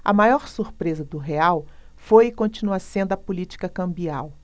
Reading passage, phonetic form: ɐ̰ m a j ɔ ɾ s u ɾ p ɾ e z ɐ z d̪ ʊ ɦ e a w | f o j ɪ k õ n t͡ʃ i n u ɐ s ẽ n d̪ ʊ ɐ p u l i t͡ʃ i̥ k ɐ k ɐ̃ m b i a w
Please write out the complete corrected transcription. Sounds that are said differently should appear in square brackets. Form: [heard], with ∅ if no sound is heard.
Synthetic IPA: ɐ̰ m a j ɔ ɾ s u ɾ p ɾ e z ɐ [∅] d̪ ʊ ɦ e a w | f o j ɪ k õ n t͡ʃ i n u ɐ s ẽ n d̪ ʊ ɐ p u l i t͡ʃ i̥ k ɐ k ɐ̃ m b i a w